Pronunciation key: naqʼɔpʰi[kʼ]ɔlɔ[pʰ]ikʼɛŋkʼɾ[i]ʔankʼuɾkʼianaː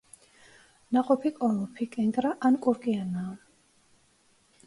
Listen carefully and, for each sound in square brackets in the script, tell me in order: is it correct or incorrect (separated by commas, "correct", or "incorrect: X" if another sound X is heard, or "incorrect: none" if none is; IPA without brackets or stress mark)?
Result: correct, correct, incorrect: a